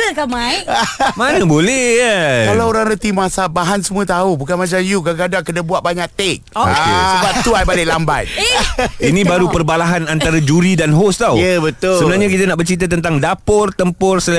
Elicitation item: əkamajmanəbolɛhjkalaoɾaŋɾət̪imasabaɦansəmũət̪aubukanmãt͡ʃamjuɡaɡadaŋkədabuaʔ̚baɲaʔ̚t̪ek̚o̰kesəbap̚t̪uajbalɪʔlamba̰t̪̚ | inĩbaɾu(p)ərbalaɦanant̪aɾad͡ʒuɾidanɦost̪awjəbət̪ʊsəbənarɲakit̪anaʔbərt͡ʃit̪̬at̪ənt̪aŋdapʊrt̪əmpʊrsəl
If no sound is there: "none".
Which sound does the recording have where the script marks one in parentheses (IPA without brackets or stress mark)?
p